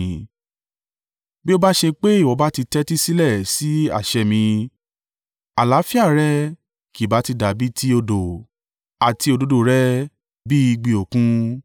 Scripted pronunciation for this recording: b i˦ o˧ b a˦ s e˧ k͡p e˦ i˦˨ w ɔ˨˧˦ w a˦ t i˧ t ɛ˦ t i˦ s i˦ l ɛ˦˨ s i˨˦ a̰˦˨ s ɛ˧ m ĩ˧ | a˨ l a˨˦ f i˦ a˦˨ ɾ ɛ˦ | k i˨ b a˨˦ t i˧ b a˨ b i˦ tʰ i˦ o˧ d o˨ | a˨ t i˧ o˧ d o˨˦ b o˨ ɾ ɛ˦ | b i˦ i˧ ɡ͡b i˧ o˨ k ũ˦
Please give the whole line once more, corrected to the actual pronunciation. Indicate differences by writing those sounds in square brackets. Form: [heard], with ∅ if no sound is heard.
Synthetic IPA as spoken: b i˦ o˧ b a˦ [ʃ] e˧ k͡p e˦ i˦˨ w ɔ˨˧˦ [b] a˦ t i˧ t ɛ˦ t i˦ s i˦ l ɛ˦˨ s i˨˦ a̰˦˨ [ʃ] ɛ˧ m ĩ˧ | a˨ l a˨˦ f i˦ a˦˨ ɾ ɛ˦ | k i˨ b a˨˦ t i˧ [d] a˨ b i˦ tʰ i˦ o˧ d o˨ | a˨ t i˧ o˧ d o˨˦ [d] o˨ ɾ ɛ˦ | b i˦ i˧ ɡ͡b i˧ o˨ k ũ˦